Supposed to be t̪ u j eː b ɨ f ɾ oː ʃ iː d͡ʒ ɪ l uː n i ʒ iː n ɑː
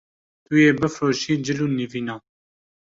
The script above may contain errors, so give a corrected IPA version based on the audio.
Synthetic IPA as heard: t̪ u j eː b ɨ f ɾ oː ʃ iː d͡ʒ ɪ l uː n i v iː n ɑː